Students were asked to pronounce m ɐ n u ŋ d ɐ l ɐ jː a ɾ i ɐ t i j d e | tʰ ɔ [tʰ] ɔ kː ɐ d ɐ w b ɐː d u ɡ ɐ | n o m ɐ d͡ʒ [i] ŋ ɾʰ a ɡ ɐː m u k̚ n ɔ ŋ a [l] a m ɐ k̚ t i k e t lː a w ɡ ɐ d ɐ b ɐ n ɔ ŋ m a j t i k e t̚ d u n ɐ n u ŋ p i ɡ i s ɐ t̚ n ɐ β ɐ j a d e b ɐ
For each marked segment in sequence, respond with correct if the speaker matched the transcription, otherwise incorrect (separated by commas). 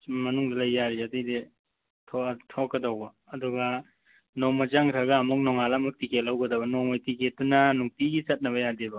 correct, incorrect, correct